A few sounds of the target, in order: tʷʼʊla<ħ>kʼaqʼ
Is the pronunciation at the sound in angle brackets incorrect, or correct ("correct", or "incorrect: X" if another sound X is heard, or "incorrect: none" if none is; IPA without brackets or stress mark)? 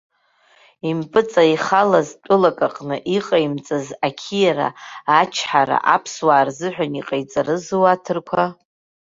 incorrect: none